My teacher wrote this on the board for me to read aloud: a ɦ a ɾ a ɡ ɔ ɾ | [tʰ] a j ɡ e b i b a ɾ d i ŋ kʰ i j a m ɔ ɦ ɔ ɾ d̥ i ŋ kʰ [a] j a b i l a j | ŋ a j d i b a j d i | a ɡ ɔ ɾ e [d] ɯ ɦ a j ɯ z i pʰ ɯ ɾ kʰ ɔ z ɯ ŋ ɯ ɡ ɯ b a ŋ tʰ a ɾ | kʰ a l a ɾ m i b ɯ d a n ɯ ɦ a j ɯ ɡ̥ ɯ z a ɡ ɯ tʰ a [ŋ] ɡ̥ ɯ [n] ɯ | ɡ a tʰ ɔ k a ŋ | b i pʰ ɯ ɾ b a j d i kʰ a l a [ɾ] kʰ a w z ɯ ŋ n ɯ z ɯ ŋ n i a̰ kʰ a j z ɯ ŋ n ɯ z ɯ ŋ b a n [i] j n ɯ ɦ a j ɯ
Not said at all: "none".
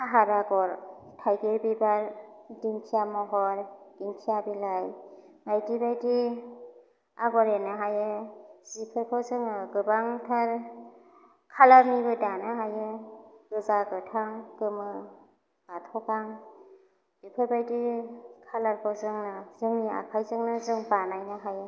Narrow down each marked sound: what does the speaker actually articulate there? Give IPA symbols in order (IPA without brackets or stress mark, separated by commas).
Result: tʰ, i, n, ŋ, m, ɾ, a